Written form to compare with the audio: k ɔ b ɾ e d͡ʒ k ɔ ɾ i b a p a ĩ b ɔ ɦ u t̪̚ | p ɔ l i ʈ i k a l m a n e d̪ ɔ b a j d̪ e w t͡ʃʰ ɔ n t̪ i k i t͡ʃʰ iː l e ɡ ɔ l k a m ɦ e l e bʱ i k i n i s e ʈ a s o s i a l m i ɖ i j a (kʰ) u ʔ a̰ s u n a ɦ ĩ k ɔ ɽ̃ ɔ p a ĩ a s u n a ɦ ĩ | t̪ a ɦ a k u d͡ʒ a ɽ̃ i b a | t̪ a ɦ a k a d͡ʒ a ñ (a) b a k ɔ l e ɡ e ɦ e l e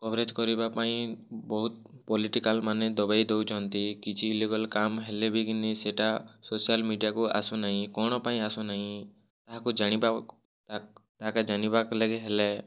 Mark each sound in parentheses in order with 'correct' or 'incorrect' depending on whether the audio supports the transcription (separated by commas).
incorrect, incorrect